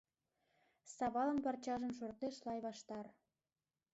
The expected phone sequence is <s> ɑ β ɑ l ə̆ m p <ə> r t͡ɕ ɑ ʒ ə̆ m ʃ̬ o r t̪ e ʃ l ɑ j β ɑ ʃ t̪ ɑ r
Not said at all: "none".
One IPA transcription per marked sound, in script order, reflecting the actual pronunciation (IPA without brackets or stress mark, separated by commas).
s, ɑ